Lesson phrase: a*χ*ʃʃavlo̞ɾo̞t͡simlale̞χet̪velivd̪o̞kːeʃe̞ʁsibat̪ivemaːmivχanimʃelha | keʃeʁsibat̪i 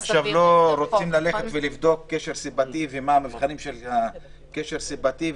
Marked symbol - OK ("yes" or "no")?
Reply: yes